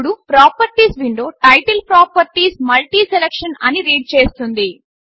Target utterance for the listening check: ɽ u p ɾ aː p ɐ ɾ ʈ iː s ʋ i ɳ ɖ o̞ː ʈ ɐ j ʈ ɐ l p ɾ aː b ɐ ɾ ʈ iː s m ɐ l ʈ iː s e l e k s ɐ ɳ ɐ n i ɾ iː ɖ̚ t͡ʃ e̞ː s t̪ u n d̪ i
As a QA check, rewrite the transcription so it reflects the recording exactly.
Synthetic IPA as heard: ɽ u p ɾ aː p ɐ ɾ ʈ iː s ʋ i ɳ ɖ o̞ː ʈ ɐ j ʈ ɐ l p ɾ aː p ɐ ɾ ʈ iː s m ɐ l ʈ iː s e l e k ʂ ɐ n ɐ n i ɾ iː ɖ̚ t͡ʃ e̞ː s t̪ u n d̪ i